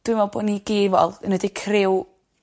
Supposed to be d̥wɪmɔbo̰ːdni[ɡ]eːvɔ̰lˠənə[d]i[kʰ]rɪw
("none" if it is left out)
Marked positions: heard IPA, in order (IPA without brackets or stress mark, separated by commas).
ɡ, d, kʰ